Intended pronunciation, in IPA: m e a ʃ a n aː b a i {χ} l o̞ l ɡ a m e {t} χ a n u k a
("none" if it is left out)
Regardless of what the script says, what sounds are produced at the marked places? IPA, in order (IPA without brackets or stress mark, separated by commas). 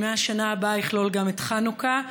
χ, t